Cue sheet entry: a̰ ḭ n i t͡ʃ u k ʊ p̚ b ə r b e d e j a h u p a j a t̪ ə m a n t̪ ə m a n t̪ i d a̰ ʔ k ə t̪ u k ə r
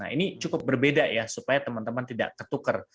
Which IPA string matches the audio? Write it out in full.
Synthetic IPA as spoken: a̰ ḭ n i t͡ʃ u k ʊ p̚ b ə r b e d a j a s u p a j a t̪ ə m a n t̪ ə m a n t̪ i d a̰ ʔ k ə t̪ u k ə r